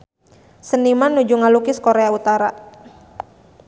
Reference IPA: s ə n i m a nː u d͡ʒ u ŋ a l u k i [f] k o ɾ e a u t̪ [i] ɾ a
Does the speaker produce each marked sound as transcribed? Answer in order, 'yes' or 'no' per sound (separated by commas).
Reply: no, no